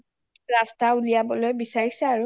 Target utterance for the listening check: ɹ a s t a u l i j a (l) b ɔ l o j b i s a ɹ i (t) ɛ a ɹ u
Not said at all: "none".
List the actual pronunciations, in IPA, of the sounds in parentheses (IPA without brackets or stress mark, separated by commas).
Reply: none, s